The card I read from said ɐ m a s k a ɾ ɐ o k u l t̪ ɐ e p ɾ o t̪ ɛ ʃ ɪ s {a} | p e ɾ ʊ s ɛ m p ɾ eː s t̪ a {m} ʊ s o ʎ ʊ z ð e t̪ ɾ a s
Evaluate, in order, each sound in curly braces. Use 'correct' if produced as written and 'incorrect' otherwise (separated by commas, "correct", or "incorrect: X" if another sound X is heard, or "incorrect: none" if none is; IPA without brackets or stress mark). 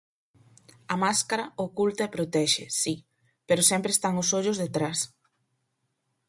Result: incorrect: i, incorrect: ŋ